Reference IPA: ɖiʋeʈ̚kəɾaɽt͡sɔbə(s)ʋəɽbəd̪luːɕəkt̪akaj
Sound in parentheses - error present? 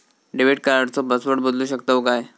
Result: no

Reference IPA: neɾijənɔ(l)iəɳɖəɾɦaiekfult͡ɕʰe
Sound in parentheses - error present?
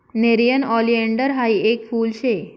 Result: no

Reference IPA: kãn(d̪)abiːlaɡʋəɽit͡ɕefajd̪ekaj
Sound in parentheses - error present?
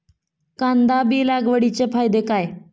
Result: no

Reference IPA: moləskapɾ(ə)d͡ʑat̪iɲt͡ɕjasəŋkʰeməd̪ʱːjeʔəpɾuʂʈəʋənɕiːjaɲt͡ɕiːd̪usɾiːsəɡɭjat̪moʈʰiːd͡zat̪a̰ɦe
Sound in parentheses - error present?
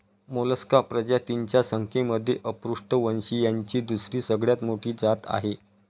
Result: no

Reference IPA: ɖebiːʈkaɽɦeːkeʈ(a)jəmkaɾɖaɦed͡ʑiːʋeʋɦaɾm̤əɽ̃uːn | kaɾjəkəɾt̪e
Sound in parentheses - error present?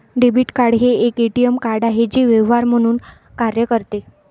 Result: yes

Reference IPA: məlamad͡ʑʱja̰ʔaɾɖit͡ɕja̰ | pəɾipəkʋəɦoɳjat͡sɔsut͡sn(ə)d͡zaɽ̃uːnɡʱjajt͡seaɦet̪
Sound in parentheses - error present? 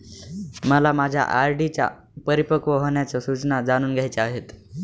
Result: yes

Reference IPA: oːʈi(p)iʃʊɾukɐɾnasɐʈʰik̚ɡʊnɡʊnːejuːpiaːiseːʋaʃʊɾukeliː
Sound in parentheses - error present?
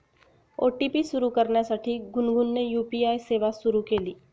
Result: no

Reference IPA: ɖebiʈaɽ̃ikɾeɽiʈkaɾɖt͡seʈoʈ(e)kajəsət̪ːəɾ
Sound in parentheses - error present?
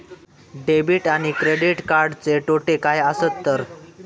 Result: no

